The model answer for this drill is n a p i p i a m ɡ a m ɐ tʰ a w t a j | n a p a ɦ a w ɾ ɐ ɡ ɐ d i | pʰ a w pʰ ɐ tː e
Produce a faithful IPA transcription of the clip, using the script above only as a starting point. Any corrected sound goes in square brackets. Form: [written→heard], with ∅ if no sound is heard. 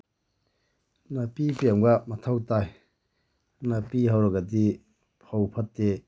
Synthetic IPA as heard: n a p i p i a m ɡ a m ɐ tʰ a w t a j | n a p [a→i] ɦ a w ɾ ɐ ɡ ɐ d i | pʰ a w pʰ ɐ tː e